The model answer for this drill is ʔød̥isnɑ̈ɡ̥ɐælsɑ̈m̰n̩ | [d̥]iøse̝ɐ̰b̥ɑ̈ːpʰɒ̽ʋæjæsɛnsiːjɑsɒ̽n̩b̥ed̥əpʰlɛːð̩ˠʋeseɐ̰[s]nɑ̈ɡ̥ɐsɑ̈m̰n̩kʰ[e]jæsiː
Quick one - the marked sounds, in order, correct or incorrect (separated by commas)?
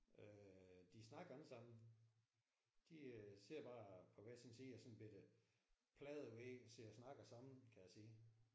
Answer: correct, correct, incorrect